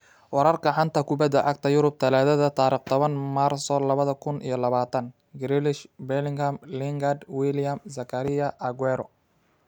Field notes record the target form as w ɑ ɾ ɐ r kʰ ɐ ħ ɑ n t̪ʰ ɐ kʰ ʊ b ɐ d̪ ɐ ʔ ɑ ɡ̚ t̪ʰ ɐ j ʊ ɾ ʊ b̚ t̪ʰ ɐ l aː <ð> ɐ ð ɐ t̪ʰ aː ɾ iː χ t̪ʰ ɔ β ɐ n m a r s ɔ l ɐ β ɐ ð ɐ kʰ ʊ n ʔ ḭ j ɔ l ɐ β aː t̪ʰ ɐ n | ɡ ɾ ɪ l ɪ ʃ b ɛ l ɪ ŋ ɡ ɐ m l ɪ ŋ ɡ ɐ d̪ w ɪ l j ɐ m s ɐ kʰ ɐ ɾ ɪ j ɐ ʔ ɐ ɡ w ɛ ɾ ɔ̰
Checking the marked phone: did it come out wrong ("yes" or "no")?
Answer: no